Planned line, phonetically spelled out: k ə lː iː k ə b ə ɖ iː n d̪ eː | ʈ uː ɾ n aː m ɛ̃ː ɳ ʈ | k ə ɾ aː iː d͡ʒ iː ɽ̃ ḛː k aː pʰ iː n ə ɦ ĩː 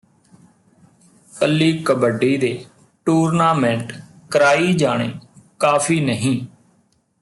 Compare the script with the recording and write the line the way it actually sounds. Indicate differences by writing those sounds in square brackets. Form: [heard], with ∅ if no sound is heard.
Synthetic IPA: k ə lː iː k ə b ə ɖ iː [∅] d̪ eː | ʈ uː ɾ n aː m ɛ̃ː ɳ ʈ | k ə ɾ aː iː d͡ʒ [aː] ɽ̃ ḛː k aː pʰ iː n ə ɦ ĩː